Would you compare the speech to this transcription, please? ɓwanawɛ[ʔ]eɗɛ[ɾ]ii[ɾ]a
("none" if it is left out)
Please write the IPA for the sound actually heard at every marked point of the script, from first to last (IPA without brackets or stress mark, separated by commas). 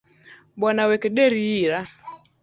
k, ɾ, ɾ